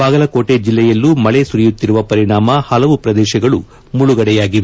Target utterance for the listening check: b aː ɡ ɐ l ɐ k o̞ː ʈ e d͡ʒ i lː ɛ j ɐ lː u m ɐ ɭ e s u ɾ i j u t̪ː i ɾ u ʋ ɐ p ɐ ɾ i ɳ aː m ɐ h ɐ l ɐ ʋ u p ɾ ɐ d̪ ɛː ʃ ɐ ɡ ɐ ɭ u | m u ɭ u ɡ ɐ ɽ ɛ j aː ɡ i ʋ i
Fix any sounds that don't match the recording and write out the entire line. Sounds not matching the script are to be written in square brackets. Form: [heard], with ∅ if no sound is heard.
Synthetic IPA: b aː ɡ ɐ l ɐ k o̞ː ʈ e d͡ʒ i lː ɛ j ɐ lː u m ɐ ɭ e s u ɾ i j u t̪ː i ɾ u ʋ ɐ p ɐ ɾ i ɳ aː m ɐ h ɐ l ɐ ʋ u p ɾ ɐ d̪ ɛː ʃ ɐ ɡ ɐ ɭ u | m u ɭ u ɡ ɐ ɽ ɛ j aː ɡ i ʋ [e]